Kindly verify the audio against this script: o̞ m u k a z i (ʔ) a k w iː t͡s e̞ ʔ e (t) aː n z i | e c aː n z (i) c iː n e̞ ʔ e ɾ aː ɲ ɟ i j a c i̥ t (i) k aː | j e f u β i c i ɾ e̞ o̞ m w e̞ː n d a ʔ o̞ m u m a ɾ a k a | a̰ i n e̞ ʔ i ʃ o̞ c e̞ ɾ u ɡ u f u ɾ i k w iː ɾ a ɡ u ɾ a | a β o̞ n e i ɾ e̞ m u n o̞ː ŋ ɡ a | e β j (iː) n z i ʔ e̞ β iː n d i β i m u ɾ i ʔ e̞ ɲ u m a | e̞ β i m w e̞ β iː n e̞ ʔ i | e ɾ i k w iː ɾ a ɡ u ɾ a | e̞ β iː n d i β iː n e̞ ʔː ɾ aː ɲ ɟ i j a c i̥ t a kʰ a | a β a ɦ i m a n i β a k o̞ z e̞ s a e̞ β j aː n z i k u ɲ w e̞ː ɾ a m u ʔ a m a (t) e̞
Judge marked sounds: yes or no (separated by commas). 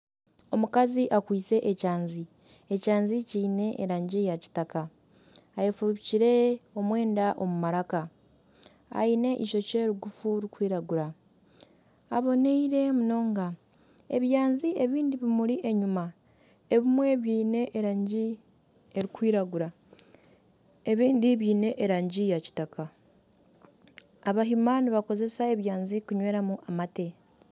yes, no, yes, no, no, yes